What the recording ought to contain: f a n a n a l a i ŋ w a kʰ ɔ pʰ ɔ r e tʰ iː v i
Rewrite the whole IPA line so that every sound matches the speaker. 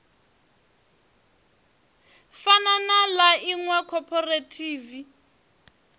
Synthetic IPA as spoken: f a n a n a l a i ŋ w a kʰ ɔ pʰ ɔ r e tʰ iː v i